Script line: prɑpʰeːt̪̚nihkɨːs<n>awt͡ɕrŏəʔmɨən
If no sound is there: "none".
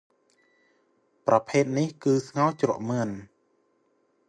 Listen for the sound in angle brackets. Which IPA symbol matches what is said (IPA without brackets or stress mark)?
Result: ŋ